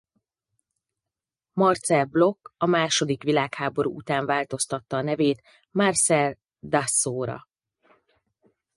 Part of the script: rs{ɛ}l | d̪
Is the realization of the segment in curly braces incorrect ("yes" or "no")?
no